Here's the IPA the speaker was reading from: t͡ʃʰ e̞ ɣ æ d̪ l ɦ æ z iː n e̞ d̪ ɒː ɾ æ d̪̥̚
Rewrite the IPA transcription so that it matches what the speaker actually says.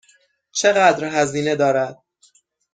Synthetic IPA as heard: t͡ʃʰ e̞ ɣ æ d̪ ɾ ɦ æ z iː n e̞ d̪ ɒː ɾ æ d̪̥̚